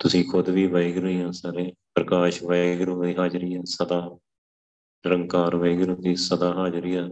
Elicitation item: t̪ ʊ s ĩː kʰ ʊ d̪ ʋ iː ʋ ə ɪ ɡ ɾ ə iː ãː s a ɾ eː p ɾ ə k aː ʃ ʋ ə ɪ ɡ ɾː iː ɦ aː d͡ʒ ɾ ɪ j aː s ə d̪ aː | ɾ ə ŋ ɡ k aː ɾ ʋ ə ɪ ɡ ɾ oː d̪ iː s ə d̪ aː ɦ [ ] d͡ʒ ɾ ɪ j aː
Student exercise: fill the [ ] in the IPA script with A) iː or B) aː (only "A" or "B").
B